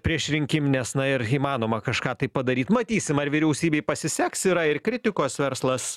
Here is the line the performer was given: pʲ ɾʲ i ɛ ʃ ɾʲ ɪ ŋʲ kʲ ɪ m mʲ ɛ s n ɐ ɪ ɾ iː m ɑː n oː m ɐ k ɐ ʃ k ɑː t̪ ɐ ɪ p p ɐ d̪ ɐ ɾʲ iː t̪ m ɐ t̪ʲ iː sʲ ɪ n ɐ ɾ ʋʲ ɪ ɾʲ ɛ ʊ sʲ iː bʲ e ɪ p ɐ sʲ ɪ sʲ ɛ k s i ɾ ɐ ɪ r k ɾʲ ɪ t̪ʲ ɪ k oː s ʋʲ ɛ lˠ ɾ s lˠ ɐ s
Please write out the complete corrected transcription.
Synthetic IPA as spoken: pʲ ɾʲ i ɛ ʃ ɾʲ ɪ ŋʲ kʲ ɪ m nʲ ɛ s n ɐ ɪ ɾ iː m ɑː n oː m ɐ k ɐ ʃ k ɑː t̪ ɐ ɪ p p ɐ d̪ ɐ ɾʲ iː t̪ m ɐ t̪ʲ iː sʲ ɪ m ɐ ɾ ʋʲ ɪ ɾʲ ɛ ʊ sʲ iː bʲ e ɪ p ɐ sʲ ɪ sʲ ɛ k s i ɾ ɐ ɪ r k ɾʲ ɪ t̪ʲ ɪ k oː s ʋʲ ɛ ɾ s lˠ ɐ s